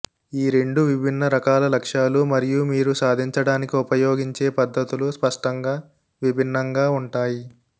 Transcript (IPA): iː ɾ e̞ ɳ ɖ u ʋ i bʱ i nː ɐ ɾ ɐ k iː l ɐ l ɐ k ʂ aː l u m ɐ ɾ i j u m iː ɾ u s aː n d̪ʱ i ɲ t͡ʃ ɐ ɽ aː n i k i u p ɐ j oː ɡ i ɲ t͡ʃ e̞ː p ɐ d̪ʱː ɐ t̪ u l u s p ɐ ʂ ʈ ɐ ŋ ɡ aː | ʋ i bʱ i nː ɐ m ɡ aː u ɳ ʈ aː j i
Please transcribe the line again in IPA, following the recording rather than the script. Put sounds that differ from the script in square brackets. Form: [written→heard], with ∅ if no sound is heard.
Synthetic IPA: iː ɾ e̞ ɳ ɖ u ʋ i bʱ i nː ɐ ɾ ɐ k [iː→aː] l ɐ l ɐ k ʂ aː l u m ɐ ɾ i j u m iː ɾ u s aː [n→∅] d̪ʱ i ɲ t͡ʃ ɐ ɽ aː n i k i u p ɐ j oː ɡ i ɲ t͡ʃ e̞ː p ɐ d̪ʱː ɐ t̪ u l u s p ɐ ʂ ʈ ɐ ŋ ɡ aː | ʋ i bʱ i nː ɐ [m→ŋ] ɡ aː u ɳ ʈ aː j i

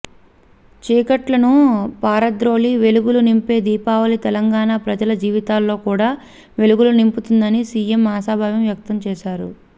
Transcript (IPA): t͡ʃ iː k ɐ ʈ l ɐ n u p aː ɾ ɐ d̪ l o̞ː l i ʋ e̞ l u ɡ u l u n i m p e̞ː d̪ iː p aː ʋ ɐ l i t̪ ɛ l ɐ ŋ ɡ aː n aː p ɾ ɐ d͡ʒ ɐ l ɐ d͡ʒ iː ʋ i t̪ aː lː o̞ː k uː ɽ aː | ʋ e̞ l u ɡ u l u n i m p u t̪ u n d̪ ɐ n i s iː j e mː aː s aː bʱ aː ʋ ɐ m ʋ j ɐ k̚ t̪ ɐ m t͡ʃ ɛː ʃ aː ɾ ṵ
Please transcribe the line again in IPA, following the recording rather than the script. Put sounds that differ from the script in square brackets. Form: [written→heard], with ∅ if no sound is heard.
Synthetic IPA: t͡ʃ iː k ɐ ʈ l ɐ n u p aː ɾ ɐ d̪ [l→ɾ] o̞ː l i ʋ e̞ l u ɡ u l u n i m p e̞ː d̪ iː p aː ʋ ɐ l i t̪ ɛ l ɐ ŋ ɡ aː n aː p ɾ ɐ d͡ʒ ɐ l ɐ d͡ʒ iː ʋ i t̪ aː lː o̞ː k uː ɽ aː | ʋ e̞ l u ɡ u l u n i m p u t̪ u n d̪ ɐ n i s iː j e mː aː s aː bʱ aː ʋ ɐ m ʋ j ɐ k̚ t̪ ɐ m t͡ʃ ɛː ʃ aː ɾ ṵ

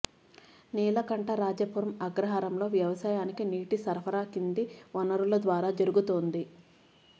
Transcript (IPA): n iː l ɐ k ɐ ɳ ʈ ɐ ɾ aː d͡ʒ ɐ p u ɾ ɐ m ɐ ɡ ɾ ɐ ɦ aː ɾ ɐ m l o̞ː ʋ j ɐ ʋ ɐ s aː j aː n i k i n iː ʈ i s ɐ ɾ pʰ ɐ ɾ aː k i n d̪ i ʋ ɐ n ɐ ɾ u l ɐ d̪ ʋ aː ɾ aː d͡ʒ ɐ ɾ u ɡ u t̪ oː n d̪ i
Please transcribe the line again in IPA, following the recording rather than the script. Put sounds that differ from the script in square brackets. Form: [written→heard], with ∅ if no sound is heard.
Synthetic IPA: n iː l ɐ k ɐ ɳ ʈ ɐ ɾ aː d͡ʒ ɐ p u ɾ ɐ m ɐ ɡ ɾ ɐ ɦ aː ɾ ɐ m l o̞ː ʋ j ɐ ʋ ɐ s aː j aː n i k i n iː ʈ i s ɐ ɾ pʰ ɐ ɾ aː k i n d̪ i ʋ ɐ n ɐ ɾ u l ɐ d̪ ʋ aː ɾ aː d͡ʒ ɐ ɾ u ɡ u t̪ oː n d̪ i

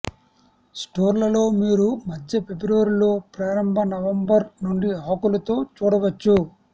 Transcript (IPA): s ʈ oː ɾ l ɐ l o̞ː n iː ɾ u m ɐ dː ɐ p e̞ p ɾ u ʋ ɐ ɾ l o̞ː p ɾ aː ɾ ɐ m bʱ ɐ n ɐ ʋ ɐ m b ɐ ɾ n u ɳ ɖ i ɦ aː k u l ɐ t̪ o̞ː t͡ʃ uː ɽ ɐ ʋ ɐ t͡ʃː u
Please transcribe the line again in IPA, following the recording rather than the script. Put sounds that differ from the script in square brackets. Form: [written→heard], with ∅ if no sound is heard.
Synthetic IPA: s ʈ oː ɾ l ɐ l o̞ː [n→m] iː ɾ u m ɐ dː ɐ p e̞ [p→b] ɾ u ʋ ɐ ɾ l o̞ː p ɾ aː ɾ ɐ m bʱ ɐ n ɐ ʋ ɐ m b ɐ ɾ n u ɳ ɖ i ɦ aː k u l ɐ t̪ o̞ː t͡ʃ uː ɽ ɐ ʋ ɐ t͡ʃː u

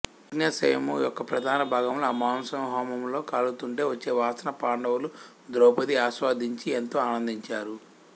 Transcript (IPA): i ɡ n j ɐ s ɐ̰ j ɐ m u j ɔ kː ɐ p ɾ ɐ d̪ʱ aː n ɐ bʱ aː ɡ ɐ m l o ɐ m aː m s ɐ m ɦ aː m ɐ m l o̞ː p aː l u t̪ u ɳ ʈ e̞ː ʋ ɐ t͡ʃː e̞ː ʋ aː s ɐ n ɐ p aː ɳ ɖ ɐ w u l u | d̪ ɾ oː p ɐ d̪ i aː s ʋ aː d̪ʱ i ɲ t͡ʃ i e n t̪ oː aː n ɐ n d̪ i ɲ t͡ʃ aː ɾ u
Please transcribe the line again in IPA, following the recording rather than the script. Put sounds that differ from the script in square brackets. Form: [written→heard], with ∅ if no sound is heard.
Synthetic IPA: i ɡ n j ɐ s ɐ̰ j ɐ m u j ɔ kː ɐ p ɾ ɐ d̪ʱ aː n ɐ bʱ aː ɡ ɐ m l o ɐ m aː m s ɐ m ɦ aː m ɐ m l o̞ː [p→k] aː l u t̪ u ɳ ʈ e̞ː ʋ ɐ t͡ʃː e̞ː ʋ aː s ɐ n ɐ p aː ɳ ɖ ɐ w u l u | d̪ ɾ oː p ɐ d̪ i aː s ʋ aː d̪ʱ i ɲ t͡ʃ i e n t̪ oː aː n ɐ n d̪ i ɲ t͡ʃ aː ɾ u

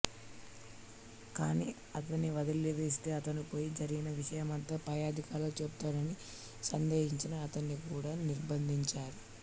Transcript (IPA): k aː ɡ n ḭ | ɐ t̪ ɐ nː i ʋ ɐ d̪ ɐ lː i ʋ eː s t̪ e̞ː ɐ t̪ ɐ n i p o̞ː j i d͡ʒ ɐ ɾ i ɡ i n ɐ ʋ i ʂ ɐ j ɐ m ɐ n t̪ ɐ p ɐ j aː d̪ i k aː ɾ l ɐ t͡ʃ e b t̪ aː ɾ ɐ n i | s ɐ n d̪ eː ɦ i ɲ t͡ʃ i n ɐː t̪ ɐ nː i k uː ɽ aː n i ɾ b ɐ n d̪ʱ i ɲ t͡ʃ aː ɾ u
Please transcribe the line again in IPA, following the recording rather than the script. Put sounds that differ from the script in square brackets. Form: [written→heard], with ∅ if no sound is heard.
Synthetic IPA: k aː [ɡ→∅] n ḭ | ɐ t̪ ɐ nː i ʋ ɐ d̪ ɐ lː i ʋ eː s t̪ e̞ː ɐ t̪ ɐ n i p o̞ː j i d͡ʒ ɐ ɾ i ɡ i n ɐ ʋ i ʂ ɐ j ɐ m ɐ n t̪ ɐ p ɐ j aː d̪ i k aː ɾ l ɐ t͡ʃ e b t̪ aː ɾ ɐ n i | s ɐ n d̪ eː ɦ i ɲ t͡ʃ i n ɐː t̪ ɐ nː i k uː ɽ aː n i ɾ b ɐ n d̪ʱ i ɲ t͡ʃ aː ɾ u

